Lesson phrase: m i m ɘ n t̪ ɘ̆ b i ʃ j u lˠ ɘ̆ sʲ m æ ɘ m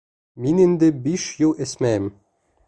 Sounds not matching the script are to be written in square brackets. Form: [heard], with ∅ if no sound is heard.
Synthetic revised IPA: m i [n] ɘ n [d̪] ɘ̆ b i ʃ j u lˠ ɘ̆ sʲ m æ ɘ m